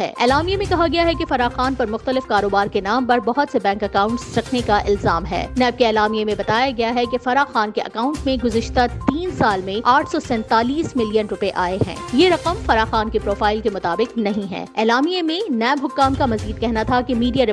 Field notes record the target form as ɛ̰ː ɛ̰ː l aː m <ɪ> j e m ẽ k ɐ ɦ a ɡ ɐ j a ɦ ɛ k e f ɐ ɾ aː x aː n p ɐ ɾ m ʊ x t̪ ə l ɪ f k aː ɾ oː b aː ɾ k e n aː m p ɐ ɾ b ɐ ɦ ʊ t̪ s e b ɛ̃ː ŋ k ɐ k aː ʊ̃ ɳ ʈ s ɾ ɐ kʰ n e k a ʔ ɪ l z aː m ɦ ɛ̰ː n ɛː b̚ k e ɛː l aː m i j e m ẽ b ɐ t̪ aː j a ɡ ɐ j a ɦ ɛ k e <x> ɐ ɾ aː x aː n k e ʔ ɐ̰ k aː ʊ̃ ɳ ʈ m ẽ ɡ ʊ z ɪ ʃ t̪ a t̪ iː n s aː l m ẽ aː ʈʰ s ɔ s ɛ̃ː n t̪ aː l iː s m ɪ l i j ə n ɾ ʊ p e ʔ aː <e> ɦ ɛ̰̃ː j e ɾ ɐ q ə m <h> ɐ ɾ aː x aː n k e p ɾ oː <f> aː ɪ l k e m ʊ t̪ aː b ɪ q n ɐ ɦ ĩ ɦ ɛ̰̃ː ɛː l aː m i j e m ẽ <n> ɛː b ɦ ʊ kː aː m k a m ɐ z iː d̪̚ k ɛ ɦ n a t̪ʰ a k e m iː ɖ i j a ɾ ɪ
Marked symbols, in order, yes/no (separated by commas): no, no, yes, no, yes, yes